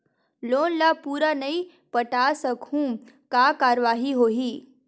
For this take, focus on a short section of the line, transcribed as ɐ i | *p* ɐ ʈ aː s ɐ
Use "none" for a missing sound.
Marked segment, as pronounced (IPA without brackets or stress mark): p